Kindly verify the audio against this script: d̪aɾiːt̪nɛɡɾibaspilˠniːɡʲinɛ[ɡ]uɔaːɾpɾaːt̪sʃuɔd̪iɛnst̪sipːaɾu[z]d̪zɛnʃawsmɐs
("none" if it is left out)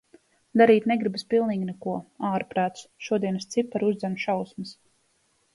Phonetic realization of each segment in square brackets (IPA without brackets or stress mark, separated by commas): k, z